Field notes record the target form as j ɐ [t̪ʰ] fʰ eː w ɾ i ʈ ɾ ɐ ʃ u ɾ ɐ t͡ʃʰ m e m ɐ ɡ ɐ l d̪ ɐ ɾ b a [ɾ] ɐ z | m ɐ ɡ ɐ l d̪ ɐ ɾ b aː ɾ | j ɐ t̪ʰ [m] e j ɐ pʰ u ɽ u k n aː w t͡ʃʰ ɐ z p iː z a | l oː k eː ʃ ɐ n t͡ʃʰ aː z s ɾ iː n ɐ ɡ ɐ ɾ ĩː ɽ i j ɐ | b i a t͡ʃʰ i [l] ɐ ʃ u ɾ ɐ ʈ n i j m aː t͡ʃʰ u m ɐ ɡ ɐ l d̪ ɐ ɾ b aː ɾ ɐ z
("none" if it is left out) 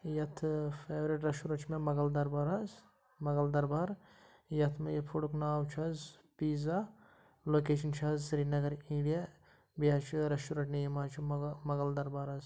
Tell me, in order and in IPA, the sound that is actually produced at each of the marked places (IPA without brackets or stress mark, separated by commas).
t̪ʰ, ɾ, m, ɾ